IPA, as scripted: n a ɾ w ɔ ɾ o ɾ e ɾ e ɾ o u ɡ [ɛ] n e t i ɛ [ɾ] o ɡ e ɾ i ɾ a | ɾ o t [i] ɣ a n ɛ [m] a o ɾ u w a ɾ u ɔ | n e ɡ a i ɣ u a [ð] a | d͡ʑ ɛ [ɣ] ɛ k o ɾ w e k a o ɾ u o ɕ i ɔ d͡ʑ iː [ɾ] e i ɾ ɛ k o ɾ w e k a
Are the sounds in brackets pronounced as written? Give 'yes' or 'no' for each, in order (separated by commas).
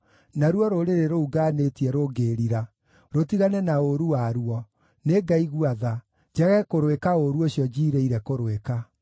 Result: no, yes, yes, no, yes, yes, yes